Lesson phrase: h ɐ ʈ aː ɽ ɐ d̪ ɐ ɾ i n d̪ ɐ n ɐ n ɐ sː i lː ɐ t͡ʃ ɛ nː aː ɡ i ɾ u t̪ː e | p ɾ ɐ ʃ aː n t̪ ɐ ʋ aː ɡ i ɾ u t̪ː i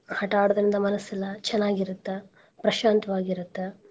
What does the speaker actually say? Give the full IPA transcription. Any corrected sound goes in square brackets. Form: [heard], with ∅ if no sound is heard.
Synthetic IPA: h ɐ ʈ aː ɽ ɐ d̪ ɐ ɾ i n d̪ ɐ [m] ɐ n ɐ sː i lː ɐ t͡ʃ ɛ nː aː ɡ i ɾ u t̪ː e | p ɾ ɐ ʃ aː n t̪ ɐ ʋ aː ɡ i ɾ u t̪ː [e]